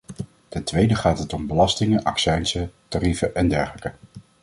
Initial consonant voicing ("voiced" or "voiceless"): voiceless